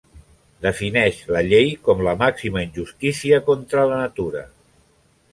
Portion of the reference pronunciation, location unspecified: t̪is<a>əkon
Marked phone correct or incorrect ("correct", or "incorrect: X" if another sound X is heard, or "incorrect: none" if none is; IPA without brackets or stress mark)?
incorrect: i